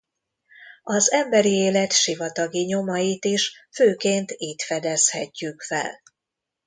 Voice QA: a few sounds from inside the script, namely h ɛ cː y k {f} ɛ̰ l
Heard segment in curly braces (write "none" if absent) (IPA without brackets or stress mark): f